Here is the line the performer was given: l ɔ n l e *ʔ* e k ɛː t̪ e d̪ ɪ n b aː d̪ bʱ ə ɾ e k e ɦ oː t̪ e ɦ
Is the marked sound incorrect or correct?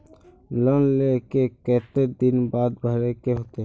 incorrect